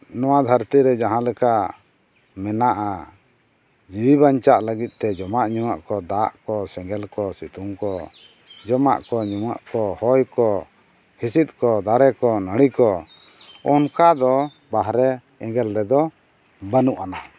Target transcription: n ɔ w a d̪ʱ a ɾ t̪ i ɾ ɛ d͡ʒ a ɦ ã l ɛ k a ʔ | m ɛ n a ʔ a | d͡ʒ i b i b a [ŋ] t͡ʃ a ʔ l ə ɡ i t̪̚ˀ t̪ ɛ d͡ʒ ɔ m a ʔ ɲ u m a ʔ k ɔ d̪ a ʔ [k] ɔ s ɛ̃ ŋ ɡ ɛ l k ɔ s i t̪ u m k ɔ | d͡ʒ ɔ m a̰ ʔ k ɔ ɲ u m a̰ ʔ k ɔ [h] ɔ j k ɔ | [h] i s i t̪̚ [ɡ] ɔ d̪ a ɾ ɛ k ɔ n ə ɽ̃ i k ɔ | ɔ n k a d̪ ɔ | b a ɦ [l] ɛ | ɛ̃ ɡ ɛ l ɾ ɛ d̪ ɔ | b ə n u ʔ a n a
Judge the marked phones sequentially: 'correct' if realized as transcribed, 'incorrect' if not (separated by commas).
incorrect, correct, correct, correct, incorrect, incorrect